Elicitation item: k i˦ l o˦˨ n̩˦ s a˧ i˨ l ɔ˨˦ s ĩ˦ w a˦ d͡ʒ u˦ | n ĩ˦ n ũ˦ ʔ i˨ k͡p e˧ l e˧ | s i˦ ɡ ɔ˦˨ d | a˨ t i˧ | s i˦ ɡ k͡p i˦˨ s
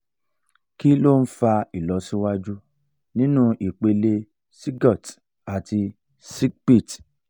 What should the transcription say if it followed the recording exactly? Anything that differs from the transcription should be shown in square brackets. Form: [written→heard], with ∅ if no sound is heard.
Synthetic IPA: k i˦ l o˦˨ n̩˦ [s→f] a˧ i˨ l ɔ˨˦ s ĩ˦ w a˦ d͡ʒ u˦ | n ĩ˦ n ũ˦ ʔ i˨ k͡p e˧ l e˧ | s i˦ ɡ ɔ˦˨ [d→t] | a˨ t i˧ | s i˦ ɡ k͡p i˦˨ [s→t]